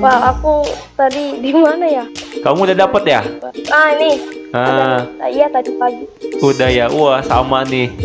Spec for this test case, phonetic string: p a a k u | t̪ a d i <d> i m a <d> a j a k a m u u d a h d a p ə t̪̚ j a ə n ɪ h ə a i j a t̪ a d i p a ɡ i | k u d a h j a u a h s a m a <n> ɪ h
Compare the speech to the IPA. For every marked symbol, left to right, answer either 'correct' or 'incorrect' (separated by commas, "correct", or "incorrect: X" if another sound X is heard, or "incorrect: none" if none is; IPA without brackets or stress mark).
correct, incorrect: n, correct